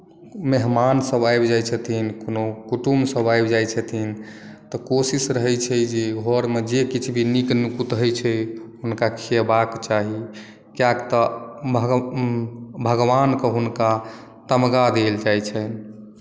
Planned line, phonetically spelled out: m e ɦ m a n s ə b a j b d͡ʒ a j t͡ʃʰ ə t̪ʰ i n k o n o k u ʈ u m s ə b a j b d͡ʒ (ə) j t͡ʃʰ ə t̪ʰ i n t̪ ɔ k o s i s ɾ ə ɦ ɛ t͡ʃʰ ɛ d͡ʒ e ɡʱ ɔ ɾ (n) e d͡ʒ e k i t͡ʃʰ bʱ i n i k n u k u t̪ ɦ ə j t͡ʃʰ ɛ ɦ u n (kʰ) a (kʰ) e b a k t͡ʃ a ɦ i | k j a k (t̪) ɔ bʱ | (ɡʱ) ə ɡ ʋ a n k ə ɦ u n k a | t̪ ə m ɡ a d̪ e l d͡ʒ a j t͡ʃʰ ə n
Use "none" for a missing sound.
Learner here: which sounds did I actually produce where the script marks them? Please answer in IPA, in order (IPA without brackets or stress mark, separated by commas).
a, m, k, kʰ, t̪, bʱ